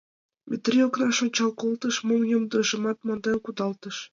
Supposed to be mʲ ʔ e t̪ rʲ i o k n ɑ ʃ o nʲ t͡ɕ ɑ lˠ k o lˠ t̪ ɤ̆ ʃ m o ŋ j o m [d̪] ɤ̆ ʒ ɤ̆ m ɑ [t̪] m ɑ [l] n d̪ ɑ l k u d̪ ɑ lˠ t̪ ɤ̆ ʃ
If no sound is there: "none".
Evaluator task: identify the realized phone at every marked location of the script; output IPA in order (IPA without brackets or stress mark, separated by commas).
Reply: d̪, t̪, none